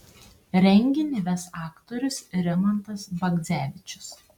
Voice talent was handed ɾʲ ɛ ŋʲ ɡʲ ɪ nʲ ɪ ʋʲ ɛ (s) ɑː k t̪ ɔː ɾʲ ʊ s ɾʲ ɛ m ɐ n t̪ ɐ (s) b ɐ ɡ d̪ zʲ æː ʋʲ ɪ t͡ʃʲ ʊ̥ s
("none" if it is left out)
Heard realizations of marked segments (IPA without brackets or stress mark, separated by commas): s, s